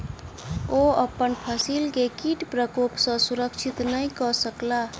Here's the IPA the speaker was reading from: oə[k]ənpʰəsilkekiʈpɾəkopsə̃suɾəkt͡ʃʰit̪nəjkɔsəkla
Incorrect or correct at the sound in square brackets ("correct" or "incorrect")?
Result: incorrect